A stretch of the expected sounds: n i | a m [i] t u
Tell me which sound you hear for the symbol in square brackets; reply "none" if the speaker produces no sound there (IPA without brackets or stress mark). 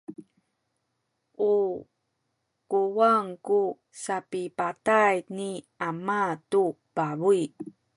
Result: a